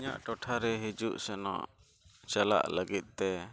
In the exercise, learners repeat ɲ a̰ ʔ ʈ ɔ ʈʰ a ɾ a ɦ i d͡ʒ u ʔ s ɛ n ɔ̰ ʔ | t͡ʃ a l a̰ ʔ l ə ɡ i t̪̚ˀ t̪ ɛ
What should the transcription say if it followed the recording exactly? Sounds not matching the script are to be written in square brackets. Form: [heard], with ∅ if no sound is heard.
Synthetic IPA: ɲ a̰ ʔ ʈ ɔ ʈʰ a ɾ [ɛ] ɦ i d͡ʒ u ʔ s ɛ n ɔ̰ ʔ | t͡ʃ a l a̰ ʔ l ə ɡ i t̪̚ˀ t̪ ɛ